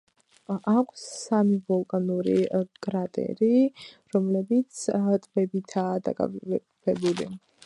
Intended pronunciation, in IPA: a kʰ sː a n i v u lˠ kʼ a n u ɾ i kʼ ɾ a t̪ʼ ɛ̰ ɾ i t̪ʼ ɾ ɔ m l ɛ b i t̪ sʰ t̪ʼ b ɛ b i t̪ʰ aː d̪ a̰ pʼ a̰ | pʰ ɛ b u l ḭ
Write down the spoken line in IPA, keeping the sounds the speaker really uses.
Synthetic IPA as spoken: a kʰ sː a m i v ɔ lˠ kʼ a n u ɾ i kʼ ɾ a t̪ʼ ɛ̰ ɾ i ɾ ɔ m l ɛ b i t̪ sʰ t̪ʼ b ɛ b i t̪ʰ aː d̪ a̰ kʼ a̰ | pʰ ɛ b u l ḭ